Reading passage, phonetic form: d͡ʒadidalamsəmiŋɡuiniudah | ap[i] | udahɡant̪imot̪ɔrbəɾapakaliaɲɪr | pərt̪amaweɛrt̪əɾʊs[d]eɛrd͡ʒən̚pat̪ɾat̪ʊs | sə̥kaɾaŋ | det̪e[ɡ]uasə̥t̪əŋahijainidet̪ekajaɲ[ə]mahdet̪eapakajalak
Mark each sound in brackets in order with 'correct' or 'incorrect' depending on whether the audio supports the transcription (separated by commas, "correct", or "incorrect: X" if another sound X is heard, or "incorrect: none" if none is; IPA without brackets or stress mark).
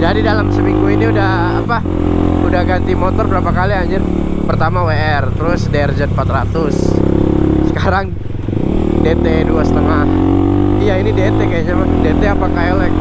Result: incorrect: a, correct, incorrect: d, incorrect: a